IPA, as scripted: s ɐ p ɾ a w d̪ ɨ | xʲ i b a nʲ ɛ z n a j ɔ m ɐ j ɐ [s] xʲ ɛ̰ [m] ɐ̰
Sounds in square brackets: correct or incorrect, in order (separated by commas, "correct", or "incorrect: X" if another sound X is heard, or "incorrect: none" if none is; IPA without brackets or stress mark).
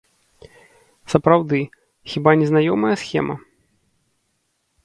correct, correct